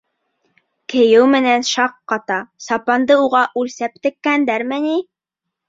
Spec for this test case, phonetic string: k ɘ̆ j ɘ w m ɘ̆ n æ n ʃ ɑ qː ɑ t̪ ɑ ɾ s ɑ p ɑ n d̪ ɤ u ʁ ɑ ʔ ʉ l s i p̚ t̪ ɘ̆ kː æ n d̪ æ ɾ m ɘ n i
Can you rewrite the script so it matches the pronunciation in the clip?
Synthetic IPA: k ɘ̆ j ɘ w m ɘ̆ n æ n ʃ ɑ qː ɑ t̪ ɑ s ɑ p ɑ n d̪ ɤ u ʁ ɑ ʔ ʉ l s æ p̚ t̪ ɘ̆ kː æ n d̪ æ ɾ m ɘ n i

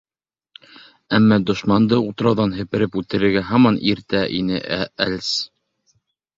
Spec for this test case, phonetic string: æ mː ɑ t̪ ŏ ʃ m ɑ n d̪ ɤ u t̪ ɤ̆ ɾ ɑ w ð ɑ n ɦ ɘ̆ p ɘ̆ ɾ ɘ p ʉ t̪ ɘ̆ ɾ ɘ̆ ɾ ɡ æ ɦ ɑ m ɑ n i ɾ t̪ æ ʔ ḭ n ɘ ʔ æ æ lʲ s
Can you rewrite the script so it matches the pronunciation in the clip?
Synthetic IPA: æ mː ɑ d̪ ŏ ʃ m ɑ n d̪ ɤ u t̪ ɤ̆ ɾ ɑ w ð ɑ n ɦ ɘ̆ p ɘ̆ ɾ ɘ p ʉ t̪ ɘ̆ ɾ ɘ̆ ɾ ɡ æ ɦ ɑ m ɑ n i ɾ t̪ æ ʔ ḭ n ɘ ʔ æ æ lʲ s

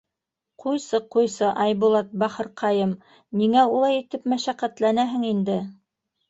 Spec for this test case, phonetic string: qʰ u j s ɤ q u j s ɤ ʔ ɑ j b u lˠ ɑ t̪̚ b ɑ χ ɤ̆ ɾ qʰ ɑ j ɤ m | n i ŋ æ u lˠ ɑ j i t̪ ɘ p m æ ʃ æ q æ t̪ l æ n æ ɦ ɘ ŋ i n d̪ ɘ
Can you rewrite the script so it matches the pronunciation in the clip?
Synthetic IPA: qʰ u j s ɤ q u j s ɤ ʔ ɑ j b u lˠ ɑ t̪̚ b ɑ χ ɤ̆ ɾ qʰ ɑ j ɤ m | n i ŋ æ u lˠ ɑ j i t̪ ɘ p m æ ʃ æ q æ t̪ l æ n æ ɦ ɘ ŋ i n d̪ ɘ

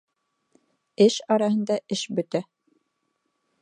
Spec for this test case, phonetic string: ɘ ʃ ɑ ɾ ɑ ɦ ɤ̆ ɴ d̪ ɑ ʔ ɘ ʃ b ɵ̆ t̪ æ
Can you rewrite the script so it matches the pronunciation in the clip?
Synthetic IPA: ɘ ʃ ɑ ɾ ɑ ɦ ɤ̆ n d̪ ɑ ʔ ɘ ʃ b ɵ̆ t̪ æ

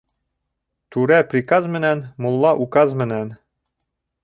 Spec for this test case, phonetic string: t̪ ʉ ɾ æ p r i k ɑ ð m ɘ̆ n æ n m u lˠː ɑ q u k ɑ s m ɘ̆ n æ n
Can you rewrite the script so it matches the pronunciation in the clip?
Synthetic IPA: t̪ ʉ ɾ æ p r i k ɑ z m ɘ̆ n æ n m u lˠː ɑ ʔ u k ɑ z m ɘ̆ n æ n

